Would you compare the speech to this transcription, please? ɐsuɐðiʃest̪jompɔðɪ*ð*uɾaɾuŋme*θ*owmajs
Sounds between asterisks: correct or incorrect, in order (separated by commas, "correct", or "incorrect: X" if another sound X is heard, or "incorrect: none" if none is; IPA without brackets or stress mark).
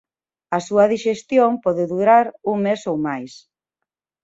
correct, incorrect: s